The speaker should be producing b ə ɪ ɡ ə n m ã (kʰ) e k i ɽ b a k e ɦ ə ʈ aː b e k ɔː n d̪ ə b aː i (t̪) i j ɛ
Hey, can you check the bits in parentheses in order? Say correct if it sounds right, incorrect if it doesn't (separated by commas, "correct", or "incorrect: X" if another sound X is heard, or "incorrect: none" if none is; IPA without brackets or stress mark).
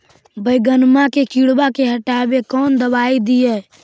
incorrect: k, incorrect: d̪